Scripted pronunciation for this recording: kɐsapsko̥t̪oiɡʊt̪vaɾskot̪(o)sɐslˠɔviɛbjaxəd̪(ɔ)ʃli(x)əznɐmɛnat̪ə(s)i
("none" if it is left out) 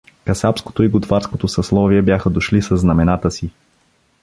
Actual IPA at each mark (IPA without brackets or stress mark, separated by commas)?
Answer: o, o, s, s